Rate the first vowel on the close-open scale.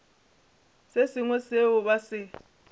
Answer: mid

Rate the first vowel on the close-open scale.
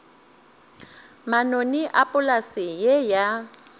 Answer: open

